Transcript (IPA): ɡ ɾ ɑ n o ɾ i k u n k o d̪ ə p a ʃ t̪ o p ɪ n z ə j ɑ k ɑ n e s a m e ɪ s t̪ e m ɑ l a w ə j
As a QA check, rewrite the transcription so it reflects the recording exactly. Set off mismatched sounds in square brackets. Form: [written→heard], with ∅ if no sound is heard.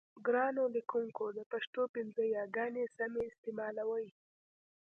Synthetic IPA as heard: ɡ ɾ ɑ n o [ɾ→l] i k u [n→ŋ] k o d̪ ə p a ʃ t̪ o p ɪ n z ə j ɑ [k→ɡ] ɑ n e s a m e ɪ s t̪ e m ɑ l a w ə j